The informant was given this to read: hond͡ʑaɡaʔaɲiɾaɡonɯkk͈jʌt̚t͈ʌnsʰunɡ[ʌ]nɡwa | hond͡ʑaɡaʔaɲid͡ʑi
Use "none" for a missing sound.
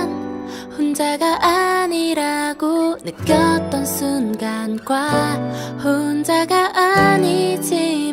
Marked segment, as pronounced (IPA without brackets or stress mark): a